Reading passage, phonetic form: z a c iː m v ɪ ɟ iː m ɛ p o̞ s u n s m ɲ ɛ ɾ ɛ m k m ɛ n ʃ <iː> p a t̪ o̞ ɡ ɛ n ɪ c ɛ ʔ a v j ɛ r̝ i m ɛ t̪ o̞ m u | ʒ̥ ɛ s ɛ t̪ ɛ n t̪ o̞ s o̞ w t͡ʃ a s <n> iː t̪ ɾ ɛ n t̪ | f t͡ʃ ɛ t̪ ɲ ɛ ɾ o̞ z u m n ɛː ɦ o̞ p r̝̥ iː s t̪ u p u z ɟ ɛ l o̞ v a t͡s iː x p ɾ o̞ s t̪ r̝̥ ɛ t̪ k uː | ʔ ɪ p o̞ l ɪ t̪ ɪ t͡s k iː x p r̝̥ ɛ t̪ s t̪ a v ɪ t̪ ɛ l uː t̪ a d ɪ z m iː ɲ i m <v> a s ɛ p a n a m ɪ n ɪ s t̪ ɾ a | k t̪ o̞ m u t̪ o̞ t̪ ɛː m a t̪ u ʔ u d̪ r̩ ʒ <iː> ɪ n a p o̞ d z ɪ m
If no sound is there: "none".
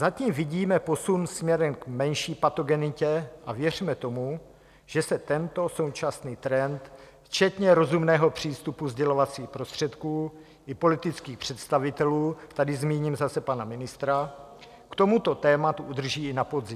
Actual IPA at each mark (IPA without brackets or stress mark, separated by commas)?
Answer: iː, n, z, iː